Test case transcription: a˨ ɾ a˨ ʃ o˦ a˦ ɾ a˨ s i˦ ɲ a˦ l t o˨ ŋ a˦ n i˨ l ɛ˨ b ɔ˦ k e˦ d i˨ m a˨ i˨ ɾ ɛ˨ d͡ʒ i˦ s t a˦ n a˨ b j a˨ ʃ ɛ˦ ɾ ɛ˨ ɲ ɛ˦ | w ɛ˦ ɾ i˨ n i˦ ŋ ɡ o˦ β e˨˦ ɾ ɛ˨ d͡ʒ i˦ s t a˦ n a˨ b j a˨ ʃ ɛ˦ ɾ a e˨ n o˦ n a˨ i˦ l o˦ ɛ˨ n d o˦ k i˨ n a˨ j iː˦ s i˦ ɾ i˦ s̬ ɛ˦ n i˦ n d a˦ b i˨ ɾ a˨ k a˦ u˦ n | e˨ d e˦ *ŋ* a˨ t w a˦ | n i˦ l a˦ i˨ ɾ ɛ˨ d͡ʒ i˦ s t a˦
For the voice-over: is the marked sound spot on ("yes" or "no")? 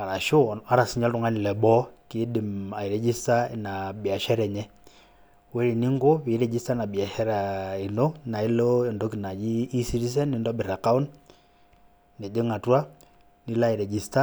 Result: yes